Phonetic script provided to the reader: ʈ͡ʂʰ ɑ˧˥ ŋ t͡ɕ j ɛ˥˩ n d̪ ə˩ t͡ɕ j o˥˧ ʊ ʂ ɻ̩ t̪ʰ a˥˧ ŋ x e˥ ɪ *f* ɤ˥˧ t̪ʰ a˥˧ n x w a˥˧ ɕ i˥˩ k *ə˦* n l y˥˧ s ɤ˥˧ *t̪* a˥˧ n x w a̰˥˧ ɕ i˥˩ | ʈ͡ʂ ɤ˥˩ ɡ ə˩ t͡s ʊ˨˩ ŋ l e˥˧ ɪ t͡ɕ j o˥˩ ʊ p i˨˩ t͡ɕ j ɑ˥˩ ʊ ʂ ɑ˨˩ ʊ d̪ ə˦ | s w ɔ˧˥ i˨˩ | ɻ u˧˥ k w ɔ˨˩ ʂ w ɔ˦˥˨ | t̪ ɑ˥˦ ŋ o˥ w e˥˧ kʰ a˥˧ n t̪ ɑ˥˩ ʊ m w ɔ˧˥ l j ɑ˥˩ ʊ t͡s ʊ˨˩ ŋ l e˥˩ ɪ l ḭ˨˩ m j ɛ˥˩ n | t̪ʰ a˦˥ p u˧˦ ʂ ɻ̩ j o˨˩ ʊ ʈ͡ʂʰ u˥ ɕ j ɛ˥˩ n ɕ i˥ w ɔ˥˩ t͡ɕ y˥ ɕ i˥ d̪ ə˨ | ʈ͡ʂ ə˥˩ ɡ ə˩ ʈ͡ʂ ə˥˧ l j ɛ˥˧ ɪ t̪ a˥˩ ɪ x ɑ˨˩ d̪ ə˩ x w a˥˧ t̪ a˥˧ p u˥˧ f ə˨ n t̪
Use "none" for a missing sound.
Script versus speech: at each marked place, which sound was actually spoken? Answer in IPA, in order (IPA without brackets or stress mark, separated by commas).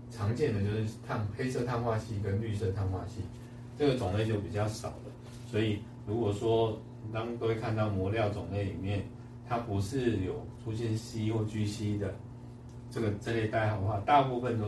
s, ə˦, t̪ʰ